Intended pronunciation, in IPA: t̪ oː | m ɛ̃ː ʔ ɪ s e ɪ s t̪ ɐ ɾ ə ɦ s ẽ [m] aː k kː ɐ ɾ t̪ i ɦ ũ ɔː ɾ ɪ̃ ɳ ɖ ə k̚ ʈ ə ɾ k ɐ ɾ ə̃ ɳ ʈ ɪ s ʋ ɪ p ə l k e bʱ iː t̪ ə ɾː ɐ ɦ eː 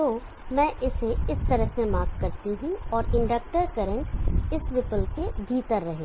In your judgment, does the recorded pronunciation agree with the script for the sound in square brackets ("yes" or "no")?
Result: yes